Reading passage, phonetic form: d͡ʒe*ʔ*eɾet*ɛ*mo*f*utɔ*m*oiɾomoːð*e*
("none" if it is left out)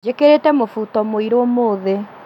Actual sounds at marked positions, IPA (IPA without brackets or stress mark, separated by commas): k, ɛ, f, m, e